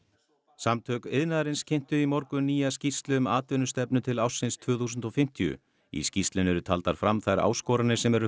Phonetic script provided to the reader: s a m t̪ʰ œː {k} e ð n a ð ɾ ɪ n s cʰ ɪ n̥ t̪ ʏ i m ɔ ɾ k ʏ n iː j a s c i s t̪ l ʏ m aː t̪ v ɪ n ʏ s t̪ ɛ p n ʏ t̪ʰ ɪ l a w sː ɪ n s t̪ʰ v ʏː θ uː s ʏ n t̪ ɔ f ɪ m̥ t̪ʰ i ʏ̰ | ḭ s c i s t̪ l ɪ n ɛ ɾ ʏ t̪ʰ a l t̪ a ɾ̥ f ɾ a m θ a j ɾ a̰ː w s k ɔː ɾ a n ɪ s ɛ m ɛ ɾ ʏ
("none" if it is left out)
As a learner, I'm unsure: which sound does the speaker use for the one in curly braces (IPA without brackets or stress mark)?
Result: k